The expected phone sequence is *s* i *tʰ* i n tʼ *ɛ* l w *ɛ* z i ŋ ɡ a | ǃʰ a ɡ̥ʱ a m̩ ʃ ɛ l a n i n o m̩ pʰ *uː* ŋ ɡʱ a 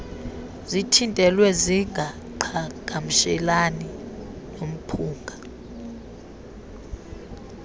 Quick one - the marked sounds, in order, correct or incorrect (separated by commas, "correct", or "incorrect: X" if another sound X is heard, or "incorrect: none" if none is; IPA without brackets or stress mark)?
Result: incorrect: z, correct, correct, correct, correct